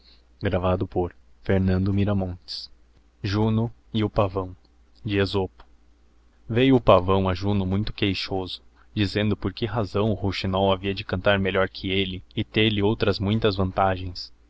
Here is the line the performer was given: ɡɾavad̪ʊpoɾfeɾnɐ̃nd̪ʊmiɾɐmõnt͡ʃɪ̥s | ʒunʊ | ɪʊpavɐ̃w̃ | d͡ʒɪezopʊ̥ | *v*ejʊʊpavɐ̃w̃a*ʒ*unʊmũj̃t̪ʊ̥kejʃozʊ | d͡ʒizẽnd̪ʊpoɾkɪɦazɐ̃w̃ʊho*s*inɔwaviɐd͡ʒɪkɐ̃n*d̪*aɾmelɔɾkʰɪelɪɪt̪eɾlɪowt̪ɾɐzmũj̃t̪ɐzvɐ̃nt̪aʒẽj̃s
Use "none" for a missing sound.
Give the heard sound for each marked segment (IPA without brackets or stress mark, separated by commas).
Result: v, ʒ, ʃ, t̪